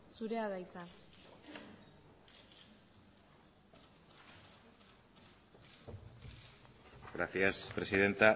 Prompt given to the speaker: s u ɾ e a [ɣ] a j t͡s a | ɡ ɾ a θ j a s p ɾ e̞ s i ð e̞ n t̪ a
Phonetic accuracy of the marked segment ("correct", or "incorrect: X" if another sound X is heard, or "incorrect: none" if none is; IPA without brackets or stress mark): incorrect: ð